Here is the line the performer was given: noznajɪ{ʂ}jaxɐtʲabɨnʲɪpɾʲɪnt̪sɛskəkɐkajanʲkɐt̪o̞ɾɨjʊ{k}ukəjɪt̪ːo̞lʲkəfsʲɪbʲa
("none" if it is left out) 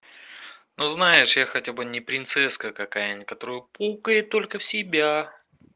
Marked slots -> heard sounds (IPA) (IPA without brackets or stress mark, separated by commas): ʂ, p